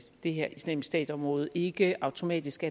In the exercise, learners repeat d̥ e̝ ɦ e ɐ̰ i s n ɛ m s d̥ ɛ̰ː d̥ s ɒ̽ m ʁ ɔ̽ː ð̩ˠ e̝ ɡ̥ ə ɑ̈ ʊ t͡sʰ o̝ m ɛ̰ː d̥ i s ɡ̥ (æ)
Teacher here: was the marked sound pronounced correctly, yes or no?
yes